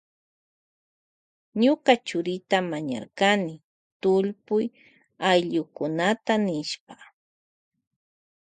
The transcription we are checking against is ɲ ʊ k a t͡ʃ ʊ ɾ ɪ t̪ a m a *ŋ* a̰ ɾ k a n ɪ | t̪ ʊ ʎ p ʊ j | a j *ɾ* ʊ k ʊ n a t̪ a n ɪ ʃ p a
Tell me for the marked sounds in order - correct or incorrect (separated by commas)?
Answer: incorrect, incorrect